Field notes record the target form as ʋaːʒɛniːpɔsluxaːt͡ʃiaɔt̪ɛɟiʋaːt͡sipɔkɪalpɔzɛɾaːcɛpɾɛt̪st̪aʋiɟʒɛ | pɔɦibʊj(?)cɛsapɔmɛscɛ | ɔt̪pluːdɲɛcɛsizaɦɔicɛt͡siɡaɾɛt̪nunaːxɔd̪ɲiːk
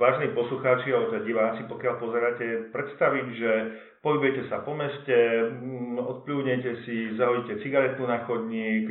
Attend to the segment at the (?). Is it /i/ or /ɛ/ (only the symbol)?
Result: ɛ